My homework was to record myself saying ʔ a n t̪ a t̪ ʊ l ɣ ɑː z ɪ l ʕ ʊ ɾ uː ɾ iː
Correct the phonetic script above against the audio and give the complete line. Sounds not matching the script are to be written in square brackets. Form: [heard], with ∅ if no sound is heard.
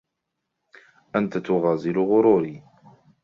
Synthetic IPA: ʔ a n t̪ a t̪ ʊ [∅] ɣ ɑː z ɪ l [ɣ] ʊ ɾ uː ɾ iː

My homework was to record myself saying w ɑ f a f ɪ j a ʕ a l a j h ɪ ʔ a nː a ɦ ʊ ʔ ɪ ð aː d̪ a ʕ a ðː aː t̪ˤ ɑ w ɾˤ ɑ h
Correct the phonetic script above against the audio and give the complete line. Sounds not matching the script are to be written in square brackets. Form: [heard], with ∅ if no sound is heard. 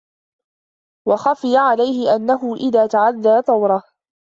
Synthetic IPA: w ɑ [x] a f ɪ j a ʕ a l a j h ɪ ʔ a nː a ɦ ʊ ʔ ɪ ð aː [t̪] a ʕ a ðː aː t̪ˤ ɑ w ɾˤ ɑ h

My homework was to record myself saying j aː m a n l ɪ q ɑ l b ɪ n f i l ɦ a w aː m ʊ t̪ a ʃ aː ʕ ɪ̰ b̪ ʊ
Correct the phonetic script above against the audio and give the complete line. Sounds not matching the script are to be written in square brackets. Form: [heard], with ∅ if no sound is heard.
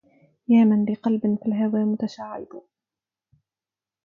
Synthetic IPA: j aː m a n l ɪ q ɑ l b ɪ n f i l ɦ a w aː m ʊ t̪ a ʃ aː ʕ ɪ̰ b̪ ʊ

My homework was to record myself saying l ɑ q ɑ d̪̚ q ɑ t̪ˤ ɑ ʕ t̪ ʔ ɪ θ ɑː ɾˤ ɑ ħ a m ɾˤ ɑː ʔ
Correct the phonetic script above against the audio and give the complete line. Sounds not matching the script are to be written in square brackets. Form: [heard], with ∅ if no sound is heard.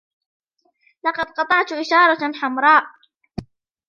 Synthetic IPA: l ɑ q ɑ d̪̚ q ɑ t̪ˤ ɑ ʕ t̪ ʔ ɪ [ʃ] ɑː ɾˤ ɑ ħ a m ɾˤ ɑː ʔ

